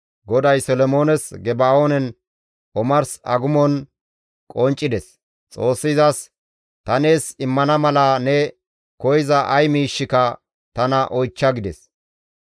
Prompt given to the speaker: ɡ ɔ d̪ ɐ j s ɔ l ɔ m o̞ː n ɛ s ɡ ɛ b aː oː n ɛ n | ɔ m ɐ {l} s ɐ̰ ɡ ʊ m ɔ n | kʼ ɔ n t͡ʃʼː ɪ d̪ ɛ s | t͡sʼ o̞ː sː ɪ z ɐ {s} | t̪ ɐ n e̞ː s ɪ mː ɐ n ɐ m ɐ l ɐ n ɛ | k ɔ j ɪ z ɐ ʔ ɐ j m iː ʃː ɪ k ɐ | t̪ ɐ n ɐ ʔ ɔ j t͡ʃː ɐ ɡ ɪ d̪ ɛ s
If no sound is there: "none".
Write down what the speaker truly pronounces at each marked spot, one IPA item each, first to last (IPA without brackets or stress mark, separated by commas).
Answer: ɾ, s